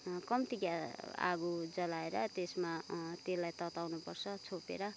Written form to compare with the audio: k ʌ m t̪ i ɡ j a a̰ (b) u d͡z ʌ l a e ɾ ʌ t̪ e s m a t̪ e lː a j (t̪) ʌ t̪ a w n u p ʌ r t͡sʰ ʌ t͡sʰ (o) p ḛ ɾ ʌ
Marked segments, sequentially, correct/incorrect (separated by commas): incorrect, correct, correct